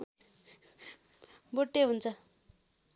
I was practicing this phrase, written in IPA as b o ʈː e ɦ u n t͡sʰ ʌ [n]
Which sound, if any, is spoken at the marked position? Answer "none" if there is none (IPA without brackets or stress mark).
none